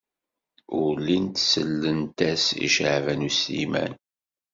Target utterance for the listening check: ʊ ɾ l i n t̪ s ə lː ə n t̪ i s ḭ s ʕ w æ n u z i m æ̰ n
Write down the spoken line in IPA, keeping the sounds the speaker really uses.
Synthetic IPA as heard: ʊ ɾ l i n t̪ s ə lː ə n t̪ æ s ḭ ʃ ʕ v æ n u s i m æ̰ n